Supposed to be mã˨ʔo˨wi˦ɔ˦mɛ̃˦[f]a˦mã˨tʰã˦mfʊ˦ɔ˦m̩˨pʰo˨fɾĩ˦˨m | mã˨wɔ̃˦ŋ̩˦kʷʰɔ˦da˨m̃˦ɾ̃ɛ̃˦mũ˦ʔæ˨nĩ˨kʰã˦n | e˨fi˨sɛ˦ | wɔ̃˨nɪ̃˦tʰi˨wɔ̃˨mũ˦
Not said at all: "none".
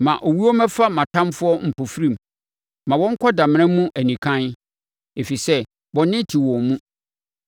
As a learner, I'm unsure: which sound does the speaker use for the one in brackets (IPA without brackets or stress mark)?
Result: f